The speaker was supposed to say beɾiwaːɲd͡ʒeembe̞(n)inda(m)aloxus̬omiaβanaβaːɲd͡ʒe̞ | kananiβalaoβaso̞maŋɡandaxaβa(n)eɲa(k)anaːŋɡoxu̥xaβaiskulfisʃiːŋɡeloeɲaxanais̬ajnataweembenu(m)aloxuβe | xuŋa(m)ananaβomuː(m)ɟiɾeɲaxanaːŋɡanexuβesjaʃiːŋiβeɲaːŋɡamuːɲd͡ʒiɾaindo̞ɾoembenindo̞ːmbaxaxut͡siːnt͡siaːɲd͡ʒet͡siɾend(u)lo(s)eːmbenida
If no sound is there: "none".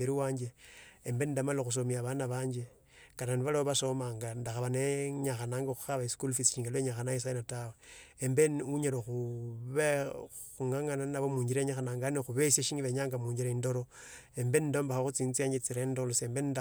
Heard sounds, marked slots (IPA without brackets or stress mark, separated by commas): n, m, n, x, ɲ, ŋ, ɲ, o, s